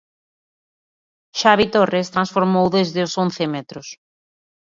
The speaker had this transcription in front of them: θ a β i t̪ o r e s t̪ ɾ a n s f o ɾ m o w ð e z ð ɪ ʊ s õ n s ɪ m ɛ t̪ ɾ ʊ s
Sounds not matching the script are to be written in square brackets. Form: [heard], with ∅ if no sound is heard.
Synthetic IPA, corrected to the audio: [ʃ] a β i t̪ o r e s t̪ ɾ a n s f o ɾ m o w ð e z ð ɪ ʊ s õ n [θ] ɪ m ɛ t̪ ɾ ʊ s